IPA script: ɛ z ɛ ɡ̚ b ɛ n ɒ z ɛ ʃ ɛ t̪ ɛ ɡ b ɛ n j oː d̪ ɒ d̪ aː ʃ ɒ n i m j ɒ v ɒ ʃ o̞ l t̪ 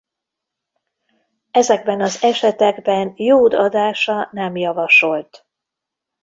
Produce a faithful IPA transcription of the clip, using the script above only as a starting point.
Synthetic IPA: ɛ z ɛ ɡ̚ b ɛ n ɒ z ɛ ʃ ɛ t̪ ɛ ɡ b ɛ n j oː d̪ ɒ d̪ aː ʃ ɒ n ɛ m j ɒ v ɒ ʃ o̞ l t̪